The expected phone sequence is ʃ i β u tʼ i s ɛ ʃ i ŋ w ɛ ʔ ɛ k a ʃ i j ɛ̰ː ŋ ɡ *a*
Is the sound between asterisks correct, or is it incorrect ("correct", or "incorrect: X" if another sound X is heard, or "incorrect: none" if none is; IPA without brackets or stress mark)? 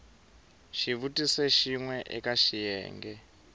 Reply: incorrect: ɛ